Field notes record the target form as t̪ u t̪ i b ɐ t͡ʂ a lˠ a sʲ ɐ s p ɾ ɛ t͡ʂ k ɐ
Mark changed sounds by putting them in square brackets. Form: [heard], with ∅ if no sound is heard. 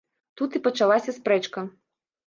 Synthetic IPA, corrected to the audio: t̪ u t̪ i [p] ɐ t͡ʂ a lˠ a sʲ ɐ s p ɾ ɛ t͡ʂ k ɐ